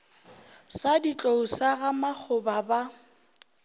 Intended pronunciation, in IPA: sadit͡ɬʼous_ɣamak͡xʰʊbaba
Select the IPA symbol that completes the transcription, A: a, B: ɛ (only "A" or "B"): A